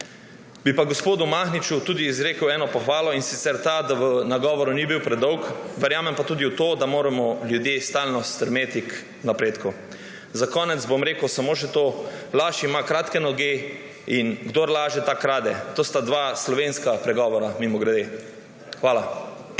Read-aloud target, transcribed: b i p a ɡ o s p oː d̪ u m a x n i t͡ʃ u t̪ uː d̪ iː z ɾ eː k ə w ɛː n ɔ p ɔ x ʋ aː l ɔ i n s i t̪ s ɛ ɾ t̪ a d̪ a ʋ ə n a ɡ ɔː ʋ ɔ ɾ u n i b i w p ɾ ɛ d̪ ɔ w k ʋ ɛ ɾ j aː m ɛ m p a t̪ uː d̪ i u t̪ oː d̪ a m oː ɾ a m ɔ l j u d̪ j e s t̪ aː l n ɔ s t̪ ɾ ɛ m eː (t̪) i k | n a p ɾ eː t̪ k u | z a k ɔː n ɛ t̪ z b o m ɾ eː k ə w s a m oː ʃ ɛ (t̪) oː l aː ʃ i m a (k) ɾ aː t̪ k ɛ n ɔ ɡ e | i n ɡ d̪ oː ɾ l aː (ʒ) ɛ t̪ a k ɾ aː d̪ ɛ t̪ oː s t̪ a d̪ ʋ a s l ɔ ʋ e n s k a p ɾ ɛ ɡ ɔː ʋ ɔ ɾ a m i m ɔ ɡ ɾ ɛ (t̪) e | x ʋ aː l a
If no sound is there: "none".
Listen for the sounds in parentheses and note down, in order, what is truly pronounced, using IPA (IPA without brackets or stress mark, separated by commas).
t̪, t̪, k, ʒ, d̪